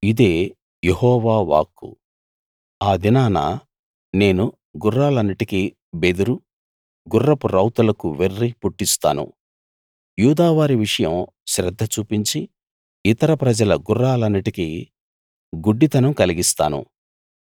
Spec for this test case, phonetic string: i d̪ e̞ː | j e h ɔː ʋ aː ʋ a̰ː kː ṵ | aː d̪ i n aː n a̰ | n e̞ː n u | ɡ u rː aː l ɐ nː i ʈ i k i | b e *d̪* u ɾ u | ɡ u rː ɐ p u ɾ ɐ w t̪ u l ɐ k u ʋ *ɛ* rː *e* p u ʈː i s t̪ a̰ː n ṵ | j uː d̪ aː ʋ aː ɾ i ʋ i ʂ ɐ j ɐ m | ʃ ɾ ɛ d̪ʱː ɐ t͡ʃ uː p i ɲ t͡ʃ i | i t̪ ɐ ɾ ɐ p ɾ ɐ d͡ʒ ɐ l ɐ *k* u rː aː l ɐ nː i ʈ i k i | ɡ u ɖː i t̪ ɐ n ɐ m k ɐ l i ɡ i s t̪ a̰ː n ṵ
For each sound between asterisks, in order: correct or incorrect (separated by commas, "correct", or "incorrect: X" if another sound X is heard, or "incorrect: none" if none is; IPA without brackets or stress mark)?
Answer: correct, incorrect: e, incorrect: i, incorrect: ɡ